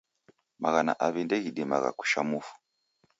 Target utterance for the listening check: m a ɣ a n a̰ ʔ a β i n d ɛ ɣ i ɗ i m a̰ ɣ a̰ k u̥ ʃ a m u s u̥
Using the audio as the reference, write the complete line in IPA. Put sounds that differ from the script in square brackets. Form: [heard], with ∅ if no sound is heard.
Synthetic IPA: m a ɣ a n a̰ ʔ a β i n d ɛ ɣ i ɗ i m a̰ ɣ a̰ k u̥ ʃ a m u [f] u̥